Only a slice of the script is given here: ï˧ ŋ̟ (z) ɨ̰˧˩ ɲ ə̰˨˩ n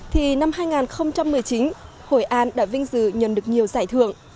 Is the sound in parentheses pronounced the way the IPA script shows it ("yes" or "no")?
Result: yes